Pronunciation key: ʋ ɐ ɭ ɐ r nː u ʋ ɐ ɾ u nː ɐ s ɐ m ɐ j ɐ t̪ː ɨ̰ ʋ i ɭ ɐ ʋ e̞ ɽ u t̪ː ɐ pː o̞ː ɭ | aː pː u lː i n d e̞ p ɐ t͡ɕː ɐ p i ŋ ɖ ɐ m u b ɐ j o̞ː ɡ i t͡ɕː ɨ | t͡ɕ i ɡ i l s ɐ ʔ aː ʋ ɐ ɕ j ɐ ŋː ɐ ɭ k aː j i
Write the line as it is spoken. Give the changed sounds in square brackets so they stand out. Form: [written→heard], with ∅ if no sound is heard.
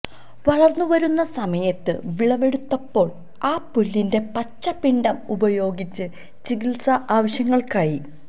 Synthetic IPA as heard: ʋ ɐ ɭ ɐ r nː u ʋ ɐ ɾ u nː ɐ s ɐ m ɐ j ɐ t̪ː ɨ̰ ʋ i ɭ ɐ ʋ e̞ ɽ u t̪ː ɐ pː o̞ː ɭ | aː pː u lː i n d e̞ p ɐ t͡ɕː ɐ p i [ŋ→ɳ] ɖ ɐ m u b ɐ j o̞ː ɡ i t͡ɕː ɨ | t͡ɕ i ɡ i l s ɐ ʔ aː ʋ ɐ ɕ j ɐ ŋː ɐ ɭ k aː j i